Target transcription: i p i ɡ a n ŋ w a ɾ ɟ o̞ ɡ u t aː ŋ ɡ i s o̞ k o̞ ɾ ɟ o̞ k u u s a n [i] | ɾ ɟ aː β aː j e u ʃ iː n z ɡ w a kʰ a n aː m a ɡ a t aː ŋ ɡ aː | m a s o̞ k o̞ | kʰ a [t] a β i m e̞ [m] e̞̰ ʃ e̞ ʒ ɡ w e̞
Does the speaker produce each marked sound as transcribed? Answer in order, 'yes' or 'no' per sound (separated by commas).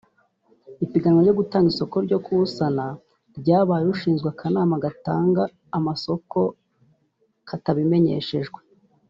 no, yes, no